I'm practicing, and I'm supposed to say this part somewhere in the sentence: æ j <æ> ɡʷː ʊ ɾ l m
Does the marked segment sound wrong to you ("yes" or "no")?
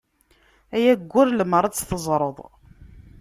no